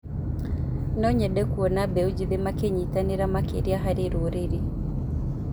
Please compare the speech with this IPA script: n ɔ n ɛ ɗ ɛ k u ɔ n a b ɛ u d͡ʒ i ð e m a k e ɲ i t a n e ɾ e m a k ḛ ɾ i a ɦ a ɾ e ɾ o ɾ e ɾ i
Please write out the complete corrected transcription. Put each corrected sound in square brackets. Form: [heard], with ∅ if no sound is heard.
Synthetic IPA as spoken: n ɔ [ɲ] ɛ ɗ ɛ k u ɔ n a b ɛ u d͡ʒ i ð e m a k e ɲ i t a n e ɾ [a] m a k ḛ ɾ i a ɦ a ɾ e ɾ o ɾ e ɾ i